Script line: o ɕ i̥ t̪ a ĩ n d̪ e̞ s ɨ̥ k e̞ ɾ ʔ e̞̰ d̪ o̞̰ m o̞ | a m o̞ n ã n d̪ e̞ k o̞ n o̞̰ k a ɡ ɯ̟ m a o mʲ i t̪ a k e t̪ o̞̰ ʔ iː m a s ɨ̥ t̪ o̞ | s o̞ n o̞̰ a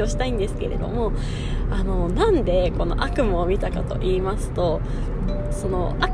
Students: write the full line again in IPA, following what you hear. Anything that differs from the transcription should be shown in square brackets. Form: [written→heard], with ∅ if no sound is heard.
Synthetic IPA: o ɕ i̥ t̪ a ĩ n d̪ e̞ s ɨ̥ k e̞ ɾ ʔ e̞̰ d̪ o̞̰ m o̞ | a [m→n] o̞ n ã n d̪ e̞ k o̞ n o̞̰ [k→ʔ] a [ɡ→k] ɯ̟ m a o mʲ i t̪ a k [e→a] t̪ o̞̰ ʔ iː m a s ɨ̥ t̪ o̞ | s o̞ n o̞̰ a